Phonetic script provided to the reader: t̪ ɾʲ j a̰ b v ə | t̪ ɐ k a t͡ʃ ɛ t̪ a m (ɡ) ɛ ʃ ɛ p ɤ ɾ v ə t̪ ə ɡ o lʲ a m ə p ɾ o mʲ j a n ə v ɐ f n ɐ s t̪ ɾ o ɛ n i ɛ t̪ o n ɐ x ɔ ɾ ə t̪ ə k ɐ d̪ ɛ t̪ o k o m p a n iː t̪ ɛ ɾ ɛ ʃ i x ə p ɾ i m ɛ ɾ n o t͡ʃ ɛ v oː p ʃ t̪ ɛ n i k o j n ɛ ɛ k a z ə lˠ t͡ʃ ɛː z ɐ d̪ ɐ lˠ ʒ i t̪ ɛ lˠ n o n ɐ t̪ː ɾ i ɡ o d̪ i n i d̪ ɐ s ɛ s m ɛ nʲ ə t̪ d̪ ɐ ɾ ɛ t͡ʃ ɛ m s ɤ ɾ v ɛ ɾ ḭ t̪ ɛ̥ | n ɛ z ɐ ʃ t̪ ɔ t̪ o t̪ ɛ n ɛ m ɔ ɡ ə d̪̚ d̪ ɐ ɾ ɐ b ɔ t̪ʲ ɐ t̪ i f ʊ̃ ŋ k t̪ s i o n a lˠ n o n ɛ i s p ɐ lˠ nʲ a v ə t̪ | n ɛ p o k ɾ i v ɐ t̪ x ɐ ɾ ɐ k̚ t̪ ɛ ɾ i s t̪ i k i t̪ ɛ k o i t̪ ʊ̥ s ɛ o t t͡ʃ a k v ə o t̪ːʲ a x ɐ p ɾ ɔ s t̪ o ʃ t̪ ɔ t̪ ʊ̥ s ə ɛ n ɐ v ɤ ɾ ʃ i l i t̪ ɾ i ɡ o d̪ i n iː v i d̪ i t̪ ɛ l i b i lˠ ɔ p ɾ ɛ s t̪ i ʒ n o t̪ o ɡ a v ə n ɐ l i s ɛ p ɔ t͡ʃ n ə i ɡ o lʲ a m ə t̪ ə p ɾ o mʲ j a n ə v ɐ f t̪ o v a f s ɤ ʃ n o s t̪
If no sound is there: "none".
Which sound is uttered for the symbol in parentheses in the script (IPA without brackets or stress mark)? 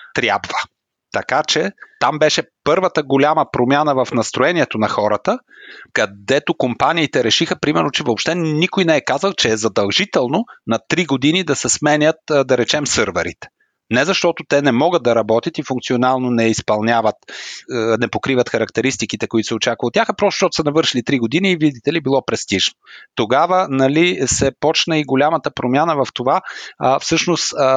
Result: b